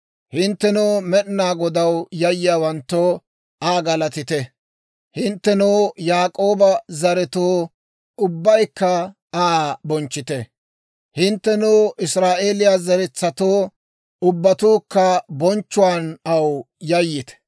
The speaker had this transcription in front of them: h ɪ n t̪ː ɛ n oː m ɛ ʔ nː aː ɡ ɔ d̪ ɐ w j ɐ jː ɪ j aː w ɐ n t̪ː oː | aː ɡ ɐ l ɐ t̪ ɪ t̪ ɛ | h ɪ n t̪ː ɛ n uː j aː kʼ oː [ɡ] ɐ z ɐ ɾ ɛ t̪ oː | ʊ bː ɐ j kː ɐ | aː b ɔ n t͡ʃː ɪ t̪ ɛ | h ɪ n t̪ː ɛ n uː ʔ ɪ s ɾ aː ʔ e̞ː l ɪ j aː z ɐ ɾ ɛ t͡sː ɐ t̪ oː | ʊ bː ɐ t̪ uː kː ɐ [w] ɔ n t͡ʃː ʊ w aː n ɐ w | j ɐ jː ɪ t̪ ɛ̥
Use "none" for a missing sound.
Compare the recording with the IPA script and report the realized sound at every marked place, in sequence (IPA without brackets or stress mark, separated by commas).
b, b